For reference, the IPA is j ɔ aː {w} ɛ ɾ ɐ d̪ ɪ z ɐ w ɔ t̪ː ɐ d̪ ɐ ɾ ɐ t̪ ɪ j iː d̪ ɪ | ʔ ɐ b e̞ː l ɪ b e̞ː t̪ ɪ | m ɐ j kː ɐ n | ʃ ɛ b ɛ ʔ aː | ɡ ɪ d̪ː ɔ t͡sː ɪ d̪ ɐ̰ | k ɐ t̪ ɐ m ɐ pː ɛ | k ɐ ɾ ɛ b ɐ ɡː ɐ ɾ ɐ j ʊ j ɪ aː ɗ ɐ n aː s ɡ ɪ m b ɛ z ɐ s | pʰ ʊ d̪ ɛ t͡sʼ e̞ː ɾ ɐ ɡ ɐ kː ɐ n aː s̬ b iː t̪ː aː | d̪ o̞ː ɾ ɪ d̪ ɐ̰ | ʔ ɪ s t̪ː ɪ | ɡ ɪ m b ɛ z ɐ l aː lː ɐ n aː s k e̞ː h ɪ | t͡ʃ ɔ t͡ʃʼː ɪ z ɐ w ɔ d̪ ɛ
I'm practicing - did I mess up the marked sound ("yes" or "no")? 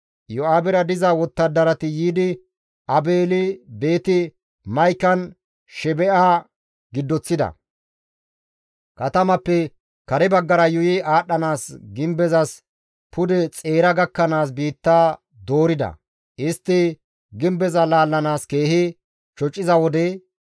yes